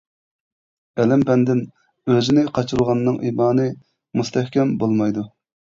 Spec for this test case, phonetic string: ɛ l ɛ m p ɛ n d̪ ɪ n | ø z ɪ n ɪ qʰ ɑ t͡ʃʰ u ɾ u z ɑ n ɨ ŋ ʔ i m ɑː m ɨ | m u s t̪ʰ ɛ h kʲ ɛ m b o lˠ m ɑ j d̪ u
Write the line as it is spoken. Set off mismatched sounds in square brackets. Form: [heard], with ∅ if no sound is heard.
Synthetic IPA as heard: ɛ l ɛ m p ɛ n d̪ ɪ n | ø z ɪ n ɪ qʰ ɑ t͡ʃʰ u ɾ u [ʁ] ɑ [nː] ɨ ŋ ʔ i m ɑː [n] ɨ | m u s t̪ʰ ɛ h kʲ ɛ m b o lˠ m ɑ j d̪ u